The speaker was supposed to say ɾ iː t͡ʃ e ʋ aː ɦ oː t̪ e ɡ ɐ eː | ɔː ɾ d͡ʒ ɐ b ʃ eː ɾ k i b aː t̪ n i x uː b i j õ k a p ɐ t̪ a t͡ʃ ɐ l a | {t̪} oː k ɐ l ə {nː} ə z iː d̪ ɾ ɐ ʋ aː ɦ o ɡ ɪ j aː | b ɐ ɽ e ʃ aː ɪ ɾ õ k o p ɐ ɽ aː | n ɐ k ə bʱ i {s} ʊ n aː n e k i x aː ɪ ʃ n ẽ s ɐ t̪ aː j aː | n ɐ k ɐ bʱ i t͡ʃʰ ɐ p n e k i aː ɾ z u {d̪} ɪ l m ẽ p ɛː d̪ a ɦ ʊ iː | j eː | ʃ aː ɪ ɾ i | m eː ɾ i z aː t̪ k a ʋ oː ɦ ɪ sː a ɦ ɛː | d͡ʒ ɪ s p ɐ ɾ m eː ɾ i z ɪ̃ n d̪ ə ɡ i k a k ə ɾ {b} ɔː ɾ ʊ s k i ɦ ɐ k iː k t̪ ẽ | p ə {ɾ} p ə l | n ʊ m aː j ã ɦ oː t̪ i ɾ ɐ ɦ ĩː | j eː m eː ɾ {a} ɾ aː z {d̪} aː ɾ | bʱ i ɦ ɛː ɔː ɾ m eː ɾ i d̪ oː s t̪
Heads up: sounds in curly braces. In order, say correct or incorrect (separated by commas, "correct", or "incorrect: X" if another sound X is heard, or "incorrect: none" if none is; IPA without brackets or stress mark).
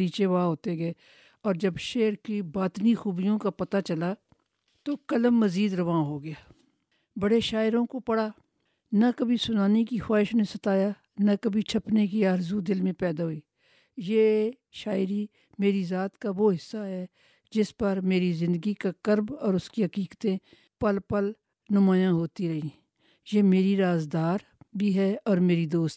correct, incorrect: mː, correct, correct, correct, incorrect: l, incorrect: i, correct